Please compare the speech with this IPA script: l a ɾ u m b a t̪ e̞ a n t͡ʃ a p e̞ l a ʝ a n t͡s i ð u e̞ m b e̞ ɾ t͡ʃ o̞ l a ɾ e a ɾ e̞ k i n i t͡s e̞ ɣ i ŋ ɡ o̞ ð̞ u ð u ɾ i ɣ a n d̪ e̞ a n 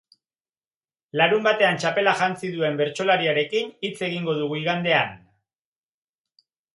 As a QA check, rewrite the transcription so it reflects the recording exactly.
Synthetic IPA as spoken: l a ɾ u m b a t̪ e̞ a n t͡ʃ a p e̞ l a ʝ a n t͡s i ð u e̞ m b e̞ ɾ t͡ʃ o̞ l a ɾ i a ɾ e̞ k i n i t͡s e̞ ɣ i ŋ ɡ o̞ ð̞ u ɣ u i ɣ a n d̪ e̞ a n